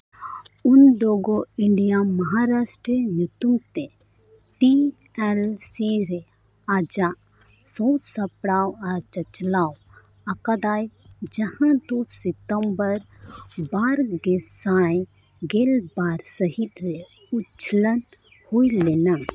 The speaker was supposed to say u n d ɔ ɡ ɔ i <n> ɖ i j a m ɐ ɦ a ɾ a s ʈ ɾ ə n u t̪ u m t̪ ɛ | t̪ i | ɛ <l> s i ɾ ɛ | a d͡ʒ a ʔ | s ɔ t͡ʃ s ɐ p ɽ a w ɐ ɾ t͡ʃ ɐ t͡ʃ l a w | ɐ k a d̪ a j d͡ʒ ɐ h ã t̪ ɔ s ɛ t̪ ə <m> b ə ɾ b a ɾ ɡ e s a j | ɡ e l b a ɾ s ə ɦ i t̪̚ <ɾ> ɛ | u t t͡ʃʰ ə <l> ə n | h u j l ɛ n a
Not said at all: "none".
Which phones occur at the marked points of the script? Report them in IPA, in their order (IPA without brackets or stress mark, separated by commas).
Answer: ɳ, l, m, ɾ, l